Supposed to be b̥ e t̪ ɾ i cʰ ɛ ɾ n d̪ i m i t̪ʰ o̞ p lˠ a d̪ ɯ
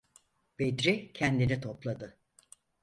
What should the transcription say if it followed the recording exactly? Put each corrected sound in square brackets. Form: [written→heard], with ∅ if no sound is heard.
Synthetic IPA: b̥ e [t̪→d̪] ɾ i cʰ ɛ [ɾ→∅] n d̪ i [m→n] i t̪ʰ o̞ p lˠ a d̪ ɯ